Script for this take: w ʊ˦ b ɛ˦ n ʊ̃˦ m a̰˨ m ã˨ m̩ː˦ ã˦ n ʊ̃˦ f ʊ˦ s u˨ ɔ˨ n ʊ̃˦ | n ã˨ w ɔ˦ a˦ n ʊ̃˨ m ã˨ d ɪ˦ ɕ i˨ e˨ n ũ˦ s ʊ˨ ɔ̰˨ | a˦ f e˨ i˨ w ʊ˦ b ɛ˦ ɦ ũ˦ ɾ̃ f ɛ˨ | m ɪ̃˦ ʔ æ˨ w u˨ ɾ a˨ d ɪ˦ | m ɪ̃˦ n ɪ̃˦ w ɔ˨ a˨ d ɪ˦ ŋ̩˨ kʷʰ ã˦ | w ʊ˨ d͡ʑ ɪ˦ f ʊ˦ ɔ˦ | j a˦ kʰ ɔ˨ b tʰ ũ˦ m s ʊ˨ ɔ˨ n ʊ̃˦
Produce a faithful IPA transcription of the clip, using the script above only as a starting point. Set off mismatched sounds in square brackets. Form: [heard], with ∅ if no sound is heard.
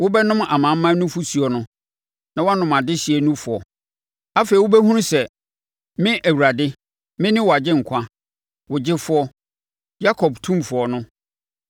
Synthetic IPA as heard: w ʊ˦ b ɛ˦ n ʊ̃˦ m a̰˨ m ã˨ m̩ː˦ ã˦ n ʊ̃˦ f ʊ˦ s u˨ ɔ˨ n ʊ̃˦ | n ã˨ w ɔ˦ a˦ n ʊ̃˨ m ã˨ d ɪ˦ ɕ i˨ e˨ n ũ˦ [f] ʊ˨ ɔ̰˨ | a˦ f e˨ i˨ w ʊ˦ b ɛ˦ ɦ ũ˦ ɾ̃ [s] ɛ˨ | m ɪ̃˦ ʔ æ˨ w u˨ ɾ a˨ d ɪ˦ | m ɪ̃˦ n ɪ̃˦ w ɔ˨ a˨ [d͡ʑ] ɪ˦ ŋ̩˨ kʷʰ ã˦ | w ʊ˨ d͡ʑ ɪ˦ f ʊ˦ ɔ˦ | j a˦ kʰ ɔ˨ b tʰ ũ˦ m [f] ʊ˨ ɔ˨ n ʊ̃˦